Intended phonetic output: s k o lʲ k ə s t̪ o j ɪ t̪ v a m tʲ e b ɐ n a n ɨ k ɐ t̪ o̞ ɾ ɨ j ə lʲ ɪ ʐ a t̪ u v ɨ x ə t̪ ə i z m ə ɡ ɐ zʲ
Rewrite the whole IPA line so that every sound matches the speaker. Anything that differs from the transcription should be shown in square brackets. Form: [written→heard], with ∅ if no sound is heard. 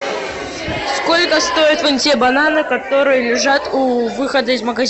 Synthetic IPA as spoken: s k o lʲ k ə s t̪ o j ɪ t̪ v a m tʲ e b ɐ n a n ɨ k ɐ t̪ o̞ ɾ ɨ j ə lʲ ɪ ʐ a t̪ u v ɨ x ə [t̪→d̪] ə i z m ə ɡ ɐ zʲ